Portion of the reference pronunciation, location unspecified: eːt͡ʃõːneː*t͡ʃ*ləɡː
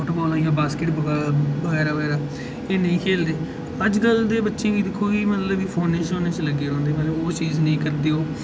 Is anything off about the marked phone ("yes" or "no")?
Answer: no